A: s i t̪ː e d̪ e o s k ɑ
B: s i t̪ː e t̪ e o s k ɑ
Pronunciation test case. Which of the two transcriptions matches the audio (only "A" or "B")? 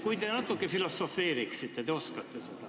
B